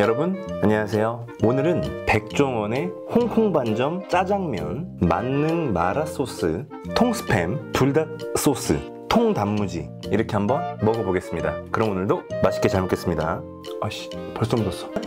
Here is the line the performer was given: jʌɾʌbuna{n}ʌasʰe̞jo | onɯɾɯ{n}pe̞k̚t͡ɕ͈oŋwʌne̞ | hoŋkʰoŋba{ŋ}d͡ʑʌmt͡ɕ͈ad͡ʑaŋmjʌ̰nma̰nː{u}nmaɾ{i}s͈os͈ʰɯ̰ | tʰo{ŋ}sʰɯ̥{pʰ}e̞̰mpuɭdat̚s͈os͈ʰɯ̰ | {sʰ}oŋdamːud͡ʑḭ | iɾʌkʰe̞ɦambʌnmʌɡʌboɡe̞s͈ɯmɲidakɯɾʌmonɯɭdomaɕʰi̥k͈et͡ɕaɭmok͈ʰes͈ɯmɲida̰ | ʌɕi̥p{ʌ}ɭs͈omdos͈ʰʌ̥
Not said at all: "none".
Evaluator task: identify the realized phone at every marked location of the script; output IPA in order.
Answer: ɲ, n, n, ɯ, a, ŋ, pʰ, tʰ, ʌ

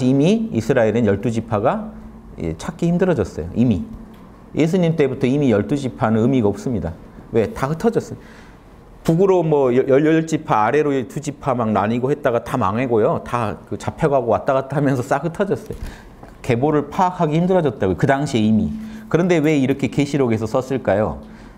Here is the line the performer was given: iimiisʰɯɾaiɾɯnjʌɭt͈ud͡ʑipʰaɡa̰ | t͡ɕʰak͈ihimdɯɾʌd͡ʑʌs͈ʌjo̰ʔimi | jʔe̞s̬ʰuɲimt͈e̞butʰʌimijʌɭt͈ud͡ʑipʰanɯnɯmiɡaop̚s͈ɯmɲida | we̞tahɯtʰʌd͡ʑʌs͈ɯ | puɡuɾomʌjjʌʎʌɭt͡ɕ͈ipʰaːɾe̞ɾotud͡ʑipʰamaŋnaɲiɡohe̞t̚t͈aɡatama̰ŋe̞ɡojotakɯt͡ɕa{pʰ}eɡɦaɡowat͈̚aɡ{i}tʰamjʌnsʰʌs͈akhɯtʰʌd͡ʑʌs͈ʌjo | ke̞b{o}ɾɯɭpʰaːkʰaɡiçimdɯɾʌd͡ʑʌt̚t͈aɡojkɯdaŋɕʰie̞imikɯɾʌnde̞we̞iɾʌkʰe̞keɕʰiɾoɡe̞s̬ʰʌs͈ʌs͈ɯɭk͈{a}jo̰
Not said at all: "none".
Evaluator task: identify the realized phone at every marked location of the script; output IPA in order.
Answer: pʰ, a, o, a

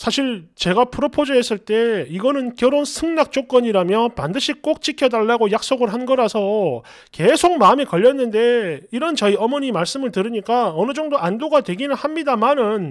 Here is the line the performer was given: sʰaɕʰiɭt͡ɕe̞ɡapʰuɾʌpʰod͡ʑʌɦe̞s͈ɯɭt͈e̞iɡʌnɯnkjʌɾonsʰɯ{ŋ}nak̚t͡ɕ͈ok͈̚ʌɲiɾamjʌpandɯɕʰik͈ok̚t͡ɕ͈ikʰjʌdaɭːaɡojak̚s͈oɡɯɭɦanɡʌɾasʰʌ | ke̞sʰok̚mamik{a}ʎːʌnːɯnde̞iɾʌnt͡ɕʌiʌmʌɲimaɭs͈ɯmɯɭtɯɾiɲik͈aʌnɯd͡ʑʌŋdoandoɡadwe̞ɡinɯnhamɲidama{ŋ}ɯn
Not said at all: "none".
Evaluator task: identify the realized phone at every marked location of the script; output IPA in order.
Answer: ŋ, ʌ, n

